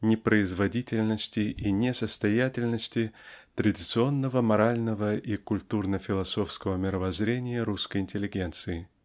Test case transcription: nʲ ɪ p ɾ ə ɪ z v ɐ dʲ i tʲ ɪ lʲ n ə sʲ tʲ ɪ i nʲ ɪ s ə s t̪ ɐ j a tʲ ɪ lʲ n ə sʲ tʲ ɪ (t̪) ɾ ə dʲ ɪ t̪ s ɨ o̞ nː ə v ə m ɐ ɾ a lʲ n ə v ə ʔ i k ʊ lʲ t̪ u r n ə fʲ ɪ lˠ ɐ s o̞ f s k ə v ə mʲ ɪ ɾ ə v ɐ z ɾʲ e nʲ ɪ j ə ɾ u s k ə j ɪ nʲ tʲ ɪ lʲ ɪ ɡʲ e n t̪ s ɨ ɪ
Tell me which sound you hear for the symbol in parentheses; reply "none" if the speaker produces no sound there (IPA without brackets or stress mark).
t̪